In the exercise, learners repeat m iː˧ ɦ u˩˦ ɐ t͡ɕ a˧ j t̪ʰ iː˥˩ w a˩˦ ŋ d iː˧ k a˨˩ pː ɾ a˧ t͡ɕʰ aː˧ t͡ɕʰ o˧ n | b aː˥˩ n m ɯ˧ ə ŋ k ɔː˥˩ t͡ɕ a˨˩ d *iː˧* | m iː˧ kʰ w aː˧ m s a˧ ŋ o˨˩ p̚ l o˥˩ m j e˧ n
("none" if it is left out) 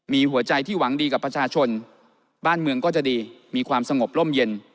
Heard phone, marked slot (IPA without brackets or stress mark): iː˧